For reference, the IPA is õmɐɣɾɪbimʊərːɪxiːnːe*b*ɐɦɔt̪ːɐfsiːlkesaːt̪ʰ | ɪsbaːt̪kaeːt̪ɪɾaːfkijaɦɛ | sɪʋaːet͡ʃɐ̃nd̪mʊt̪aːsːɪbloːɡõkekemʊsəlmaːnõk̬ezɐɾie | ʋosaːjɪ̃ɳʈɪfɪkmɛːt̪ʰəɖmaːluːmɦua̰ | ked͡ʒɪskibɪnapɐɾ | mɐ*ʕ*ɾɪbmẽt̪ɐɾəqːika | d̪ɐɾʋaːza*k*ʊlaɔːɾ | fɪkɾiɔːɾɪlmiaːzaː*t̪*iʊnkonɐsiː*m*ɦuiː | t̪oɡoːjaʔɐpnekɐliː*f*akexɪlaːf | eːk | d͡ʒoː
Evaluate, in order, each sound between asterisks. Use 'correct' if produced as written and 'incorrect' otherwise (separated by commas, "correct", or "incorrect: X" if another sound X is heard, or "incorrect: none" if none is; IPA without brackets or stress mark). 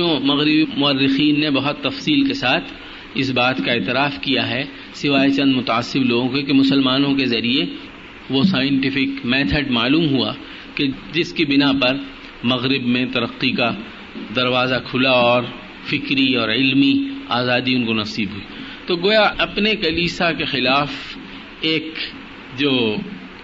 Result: correct, incorrect: ɣ, incorrect: kʰ, incorrect: d̪, incorrect: b, incorrect: s